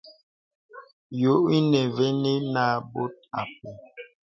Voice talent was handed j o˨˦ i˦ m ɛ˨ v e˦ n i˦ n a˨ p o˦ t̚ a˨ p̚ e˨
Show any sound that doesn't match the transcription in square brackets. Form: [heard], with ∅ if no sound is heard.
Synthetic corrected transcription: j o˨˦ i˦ [n] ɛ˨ v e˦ n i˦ n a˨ [b] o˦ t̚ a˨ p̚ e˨